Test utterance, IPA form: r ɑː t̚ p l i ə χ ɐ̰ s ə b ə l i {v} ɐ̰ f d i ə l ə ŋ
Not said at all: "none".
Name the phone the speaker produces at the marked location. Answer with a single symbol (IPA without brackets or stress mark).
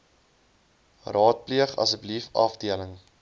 f